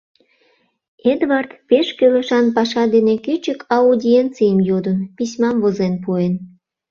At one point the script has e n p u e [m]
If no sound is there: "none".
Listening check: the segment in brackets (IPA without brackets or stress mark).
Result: n